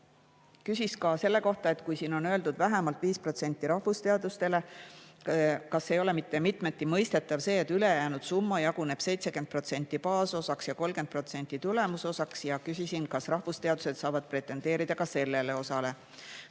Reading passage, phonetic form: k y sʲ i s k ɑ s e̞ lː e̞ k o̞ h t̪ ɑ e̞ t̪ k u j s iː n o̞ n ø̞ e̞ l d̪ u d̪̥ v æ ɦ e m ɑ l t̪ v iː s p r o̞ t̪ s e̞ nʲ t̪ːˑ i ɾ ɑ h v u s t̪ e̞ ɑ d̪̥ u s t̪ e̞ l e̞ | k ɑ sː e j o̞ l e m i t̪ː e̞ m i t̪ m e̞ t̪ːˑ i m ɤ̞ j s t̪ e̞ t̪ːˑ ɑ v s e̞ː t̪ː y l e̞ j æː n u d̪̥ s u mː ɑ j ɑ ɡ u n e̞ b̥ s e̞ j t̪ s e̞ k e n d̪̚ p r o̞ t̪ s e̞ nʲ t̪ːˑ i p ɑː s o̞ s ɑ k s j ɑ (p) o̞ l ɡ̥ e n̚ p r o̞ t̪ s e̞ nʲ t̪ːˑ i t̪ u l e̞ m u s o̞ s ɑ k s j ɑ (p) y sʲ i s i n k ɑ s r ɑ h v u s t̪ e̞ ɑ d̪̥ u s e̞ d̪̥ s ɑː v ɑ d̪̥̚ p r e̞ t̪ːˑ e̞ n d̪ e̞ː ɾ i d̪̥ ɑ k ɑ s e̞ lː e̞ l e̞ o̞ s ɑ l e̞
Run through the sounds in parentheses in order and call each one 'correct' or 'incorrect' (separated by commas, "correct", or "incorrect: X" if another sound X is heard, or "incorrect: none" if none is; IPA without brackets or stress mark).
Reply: incorrect: k, incorrect: k